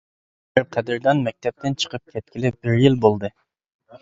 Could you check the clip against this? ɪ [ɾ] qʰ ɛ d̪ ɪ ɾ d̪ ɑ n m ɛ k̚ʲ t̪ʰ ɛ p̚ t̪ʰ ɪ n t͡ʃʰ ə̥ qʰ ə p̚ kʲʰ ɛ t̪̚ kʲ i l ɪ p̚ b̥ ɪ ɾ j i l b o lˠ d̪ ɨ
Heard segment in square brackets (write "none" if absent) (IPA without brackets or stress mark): ɾ